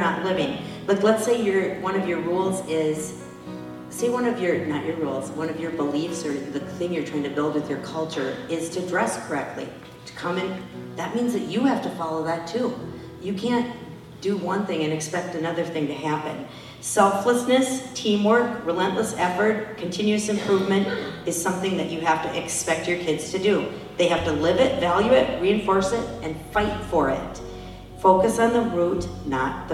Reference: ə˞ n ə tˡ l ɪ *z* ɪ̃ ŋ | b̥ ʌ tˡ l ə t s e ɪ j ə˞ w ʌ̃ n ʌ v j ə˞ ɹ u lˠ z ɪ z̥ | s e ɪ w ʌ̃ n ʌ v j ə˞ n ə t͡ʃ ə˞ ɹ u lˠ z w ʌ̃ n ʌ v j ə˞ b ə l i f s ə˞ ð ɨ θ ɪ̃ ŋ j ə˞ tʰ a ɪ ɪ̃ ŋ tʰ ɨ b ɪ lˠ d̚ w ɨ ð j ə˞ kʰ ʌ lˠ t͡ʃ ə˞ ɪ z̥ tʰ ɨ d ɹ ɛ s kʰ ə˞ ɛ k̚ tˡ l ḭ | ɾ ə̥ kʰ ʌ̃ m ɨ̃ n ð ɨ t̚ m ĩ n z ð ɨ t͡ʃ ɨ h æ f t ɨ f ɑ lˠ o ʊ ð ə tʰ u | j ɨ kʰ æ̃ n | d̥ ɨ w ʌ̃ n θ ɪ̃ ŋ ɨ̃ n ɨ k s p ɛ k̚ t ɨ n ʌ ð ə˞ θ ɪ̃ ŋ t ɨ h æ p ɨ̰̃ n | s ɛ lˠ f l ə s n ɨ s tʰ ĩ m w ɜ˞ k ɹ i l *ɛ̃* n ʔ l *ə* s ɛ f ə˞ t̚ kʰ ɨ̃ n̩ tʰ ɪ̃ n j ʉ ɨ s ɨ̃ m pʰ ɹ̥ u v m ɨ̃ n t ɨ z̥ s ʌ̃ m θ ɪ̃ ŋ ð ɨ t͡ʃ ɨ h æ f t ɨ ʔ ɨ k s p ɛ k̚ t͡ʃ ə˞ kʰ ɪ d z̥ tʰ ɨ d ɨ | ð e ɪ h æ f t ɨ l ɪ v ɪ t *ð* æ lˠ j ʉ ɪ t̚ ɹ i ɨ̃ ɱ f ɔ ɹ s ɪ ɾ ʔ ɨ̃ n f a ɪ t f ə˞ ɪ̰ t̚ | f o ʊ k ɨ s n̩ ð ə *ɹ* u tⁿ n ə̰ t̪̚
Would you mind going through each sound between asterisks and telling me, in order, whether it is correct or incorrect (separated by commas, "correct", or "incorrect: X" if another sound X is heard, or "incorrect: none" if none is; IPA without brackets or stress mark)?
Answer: incorrect: v, correct, correct, incorrect: v, correct